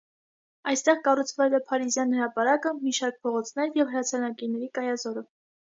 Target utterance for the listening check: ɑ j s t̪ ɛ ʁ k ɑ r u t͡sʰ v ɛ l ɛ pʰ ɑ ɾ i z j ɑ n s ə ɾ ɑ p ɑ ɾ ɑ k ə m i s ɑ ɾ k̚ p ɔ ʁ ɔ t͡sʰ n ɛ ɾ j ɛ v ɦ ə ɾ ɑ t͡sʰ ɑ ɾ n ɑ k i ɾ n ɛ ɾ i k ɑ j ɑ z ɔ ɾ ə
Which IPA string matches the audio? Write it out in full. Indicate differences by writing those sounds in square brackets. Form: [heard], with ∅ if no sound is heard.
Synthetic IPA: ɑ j s t̪ ɛ ʁ k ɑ r u t͡sʰ v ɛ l ɛ pʰ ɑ ɾ i z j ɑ n [h] ə ɾ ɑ p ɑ ɾ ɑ k ə m i [ʃ] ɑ ɾ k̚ [pʰ] ɔ ʁ ɔ t͡sʰ n ɛ ɾ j ɛ v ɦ ə ɾ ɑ t͡sʰ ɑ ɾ n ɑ k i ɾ n ɛ ɾ i k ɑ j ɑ z ɔ ɾ ə